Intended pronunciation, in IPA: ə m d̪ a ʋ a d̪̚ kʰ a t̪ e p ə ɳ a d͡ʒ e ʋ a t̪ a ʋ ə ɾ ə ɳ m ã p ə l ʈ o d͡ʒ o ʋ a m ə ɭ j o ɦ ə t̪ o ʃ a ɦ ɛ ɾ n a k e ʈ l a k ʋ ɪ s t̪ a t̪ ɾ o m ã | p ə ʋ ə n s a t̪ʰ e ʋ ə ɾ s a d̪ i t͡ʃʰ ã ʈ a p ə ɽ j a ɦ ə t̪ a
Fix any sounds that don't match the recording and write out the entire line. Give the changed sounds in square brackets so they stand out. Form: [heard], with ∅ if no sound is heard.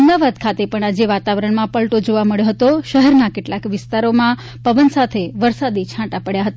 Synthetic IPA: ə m d̪ a ʋ a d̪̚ kʰ a t̪ e p ə ɳ a d͡ʒ e ʋ a t̪ a ʋ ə ɾ ə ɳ m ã p ə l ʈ o d͡ʒ o ʋ a m ə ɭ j o ɦ ə t̪ o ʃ [ə] ɦ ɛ ɾ n a k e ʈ l a k ʋ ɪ s t̪ a [∅] ɾ o m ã | p ə ʋ ə n s a t̪ʰ e ʋ ə ɾ s a d̪ i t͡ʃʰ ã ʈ a p ə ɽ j a ɦ ə t̪ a